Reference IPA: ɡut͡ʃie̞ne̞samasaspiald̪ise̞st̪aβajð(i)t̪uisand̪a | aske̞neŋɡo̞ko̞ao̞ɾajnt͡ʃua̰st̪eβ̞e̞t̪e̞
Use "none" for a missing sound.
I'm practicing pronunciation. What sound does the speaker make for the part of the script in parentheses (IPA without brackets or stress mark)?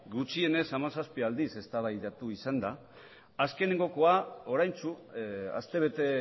a